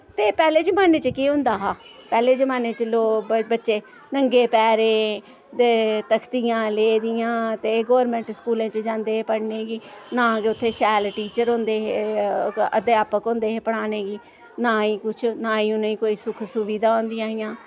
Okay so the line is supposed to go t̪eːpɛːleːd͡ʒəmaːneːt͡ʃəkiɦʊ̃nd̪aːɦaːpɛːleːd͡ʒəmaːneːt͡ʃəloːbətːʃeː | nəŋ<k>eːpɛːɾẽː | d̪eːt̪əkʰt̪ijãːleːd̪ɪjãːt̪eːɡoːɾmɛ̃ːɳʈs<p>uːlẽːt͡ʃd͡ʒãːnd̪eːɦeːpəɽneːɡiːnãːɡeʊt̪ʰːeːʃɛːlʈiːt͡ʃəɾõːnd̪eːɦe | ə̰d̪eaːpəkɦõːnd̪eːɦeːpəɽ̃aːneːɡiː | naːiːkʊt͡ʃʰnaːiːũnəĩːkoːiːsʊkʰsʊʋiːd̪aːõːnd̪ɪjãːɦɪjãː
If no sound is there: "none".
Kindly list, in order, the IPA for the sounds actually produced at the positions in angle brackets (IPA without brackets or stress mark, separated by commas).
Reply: ɡ, k